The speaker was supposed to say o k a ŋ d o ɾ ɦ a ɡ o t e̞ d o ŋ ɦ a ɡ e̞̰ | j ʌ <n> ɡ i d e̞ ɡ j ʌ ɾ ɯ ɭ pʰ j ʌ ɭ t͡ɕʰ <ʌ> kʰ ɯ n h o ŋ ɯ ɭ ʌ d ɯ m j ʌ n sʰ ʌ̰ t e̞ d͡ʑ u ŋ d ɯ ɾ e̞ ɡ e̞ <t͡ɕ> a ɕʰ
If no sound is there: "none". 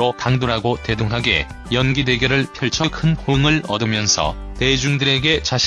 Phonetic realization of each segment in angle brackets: n, ʌ, t͡ɕ

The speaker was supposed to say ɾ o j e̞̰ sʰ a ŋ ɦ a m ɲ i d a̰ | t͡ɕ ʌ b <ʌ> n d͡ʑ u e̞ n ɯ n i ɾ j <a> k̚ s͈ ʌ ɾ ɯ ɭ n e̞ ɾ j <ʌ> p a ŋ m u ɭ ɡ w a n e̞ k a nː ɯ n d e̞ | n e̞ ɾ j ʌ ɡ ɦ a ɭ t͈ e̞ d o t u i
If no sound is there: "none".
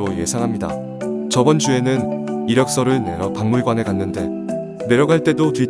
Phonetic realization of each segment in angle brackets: ʌ, ʌ, ʌ

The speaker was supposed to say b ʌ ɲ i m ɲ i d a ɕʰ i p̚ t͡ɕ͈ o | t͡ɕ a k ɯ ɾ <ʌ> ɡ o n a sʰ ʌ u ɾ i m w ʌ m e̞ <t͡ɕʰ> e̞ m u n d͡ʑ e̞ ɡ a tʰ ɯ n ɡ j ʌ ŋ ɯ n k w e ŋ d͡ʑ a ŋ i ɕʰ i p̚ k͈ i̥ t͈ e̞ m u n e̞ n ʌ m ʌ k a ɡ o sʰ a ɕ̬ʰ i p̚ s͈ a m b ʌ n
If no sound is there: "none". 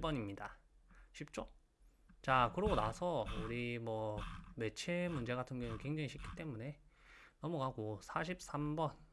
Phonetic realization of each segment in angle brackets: ʌ, t͡ɕʰ

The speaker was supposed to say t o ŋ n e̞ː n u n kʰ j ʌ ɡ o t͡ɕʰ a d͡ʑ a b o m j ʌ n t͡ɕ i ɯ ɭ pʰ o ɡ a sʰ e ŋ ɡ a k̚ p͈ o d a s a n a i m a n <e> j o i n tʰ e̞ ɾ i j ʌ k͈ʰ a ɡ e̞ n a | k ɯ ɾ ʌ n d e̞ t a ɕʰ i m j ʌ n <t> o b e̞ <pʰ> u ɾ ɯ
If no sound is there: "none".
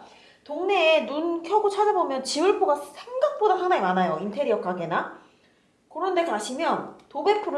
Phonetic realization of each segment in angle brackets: a, t, pʰ

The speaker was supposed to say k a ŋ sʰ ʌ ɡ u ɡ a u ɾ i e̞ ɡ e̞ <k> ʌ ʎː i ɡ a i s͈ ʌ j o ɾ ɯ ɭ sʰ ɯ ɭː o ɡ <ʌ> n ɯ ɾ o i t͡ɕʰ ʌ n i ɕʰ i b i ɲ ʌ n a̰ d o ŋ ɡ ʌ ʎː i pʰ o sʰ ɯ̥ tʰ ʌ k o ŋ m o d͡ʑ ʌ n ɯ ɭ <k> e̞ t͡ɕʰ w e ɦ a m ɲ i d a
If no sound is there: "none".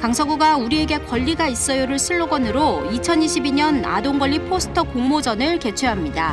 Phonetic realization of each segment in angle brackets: k, ʌ, k

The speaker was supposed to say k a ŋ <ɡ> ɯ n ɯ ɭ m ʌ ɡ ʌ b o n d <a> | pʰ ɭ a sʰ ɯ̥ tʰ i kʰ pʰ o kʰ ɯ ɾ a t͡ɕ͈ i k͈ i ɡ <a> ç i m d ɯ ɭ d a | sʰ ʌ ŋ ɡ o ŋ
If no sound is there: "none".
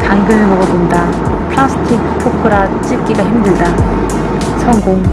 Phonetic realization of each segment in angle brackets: ɡ, a, a

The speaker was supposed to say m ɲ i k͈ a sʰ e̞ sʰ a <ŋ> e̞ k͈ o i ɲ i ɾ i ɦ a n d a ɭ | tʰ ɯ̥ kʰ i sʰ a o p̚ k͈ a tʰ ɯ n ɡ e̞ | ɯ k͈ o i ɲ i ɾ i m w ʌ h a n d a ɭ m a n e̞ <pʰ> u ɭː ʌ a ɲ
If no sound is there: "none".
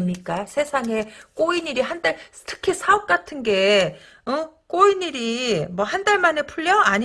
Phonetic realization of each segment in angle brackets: ŋ, pʰ

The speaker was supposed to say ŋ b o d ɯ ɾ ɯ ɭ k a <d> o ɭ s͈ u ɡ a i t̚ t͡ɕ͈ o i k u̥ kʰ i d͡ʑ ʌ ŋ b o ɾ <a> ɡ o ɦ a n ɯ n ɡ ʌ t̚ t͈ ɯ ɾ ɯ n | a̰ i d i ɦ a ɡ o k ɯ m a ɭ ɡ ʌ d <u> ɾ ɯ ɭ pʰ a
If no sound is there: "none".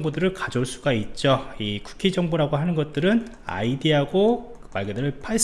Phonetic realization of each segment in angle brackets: d͡ʑ, a, ɯ

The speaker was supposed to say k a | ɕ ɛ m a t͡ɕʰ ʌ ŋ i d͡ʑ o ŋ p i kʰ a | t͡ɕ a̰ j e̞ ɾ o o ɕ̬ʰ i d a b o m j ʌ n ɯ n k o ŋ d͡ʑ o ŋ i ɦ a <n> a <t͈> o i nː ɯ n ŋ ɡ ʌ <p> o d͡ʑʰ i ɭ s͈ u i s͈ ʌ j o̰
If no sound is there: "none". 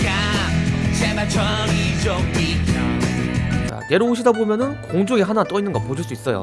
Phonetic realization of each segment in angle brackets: n, t͈, p

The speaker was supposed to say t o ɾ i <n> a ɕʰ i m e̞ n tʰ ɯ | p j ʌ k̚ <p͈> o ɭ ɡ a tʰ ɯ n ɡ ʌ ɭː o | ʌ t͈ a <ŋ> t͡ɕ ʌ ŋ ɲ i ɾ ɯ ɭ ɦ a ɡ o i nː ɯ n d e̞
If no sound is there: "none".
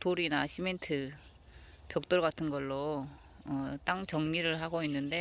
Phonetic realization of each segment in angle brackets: n, t͈, ŋ

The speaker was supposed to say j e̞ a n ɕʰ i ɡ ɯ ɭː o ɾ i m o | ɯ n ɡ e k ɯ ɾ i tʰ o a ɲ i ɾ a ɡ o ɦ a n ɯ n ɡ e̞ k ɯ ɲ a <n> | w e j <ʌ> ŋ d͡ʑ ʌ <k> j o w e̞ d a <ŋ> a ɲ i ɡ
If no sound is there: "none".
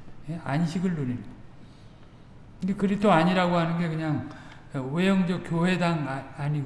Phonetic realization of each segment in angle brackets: ŋ, ʌ, k, ŋ

